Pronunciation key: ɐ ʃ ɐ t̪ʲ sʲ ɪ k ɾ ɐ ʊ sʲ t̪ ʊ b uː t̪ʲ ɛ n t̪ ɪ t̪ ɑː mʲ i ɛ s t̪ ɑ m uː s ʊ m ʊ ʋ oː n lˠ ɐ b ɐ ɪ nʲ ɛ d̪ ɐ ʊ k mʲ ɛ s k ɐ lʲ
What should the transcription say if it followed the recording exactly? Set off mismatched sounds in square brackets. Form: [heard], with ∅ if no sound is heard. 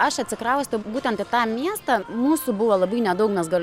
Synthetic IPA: ɐ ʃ ɐ t̪ʲ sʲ ɪ k ɾ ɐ ʊ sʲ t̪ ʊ b uː t̪ʲ ɛ n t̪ ɪ t̪ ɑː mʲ i ɛ s t̪ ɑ m uː s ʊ [b] ʊ ʋ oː [∅] lˠ ɐ b ɐ ɪ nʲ ɛ d̪ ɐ ʊ k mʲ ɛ s [ɡ] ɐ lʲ